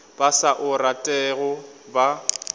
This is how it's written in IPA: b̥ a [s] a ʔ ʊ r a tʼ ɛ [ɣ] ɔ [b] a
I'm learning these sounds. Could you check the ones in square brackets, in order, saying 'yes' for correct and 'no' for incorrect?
yes, yes, yes

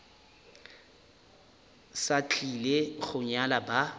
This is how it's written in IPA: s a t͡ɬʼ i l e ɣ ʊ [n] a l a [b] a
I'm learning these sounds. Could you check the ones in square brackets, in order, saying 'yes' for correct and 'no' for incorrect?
no, yes

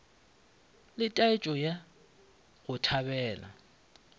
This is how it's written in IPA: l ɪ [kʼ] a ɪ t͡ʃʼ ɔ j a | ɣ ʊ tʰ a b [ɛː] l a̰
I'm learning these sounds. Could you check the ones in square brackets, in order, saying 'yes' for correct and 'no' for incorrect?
no, yes

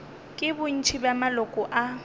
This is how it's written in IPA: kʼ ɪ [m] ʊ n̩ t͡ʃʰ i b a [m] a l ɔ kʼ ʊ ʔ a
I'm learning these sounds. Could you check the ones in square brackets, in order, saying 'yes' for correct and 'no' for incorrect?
no, yes

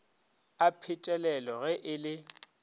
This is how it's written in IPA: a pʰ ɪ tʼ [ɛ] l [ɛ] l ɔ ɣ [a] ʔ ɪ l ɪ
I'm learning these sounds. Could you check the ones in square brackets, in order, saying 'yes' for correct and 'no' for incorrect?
yes, yes, no

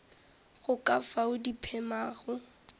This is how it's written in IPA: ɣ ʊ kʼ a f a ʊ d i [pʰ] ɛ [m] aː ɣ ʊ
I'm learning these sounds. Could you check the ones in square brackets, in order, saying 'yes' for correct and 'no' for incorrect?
yes, yes

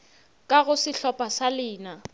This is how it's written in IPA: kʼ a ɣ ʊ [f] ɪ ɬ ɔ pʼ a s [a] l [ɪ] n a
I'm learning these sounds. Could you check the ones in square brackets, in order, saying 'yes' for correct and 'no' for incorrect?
no, yes, no

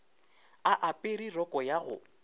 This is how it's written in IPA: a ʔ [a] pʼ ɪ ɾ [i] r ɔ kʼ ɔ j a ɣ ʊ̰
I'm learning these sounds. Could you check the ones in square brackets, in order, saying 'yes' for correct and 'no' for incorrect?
yes, yes

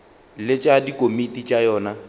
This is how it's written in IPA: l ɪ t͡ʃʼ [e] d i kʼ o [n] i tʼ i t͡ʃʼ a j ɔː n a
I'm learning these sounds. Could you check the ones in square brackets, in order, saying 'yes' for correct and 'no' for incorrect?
no, no

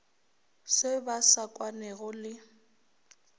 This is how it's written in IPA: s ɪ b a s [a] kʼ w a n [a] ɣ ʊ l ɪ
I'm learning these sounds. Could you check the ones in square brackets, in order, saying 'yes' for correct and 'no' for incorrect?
yes, no

